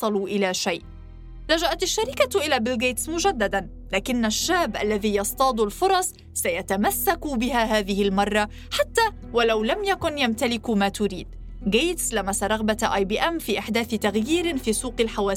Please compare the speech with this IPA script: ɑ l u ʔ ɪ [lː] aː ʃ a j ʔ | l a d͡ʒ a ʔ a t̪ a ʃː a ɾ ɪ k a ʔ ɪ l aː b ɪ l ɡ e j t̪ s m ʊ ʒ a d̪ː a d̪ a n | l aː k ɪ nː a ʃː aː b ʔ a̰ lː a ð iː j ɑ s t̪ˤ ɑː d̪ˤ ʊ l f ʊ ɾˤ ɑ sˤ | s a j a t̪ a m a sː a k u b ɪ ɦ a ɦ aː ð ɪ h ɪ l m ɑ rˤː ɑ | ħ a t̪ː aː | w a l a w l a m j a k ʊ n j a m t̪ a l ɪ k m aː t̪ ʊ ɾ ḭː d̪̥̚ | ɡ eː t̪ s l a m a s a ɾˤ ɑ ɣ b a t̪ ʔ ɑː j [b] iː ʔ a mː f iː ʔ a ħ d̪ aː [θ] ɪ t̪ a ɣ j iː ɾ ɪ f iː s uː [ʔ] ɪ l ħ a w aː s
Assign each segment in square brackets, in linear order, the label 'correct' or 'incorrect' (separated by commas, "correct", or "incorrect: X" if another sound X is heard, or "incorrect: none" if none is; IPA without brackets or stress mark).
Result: incorrect: l, correct, correct, incorrect: q